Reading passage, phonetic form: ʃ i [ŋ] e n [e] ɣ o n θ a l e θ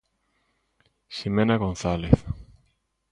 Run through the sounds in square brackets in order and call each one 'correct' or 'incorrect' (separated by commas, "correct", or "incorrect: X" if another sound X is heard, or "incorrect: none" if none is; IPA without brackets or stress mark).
incorrect: m, incorrect: a